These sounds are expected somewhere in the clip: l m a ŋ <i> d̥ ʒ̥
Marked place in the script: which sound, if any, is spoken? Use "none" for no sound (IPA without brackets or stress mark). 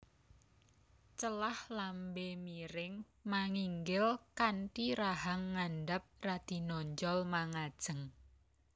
a